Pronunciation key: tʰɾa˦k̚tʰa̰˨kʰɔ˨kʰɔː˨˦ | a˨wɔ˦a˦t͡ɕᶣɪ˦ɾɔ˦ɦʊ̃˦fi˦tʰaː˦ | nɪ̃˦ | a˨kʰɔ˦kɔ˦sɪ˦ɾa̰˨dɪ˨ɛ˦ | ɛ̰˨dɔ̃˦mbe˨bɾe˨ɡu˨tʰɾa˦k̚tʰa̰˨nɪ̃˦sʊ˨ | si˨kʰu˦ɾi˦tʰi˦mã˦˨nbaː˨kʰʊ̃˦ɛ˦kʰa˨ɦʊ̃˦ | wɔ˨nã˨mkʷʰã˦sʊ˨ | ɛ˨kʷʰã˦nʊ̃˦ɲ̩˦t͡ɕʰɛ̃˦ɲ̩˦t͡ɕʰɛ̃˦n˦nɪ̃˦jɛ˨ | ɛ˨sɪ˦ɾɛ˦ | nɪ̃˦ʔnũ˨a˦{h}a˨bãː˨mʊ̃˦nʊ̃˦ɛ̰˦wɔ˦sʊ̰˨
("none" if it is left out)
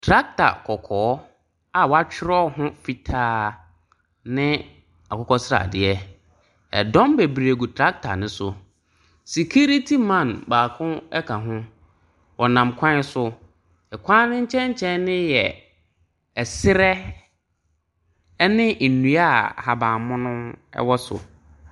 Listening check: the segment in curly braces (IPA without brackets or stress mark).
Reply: h